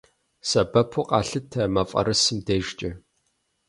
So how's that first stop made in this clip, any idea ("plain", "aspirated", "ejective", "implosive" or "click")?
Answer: plain